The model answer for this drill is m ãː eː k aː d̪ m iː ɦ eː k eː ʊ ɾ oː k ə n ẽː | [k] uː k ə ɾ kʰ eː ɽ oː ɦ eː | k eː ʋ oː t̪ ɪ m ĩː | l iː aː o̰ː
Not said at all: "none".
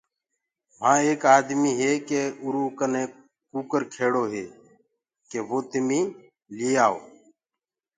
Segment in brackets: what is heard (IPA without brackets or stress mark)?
k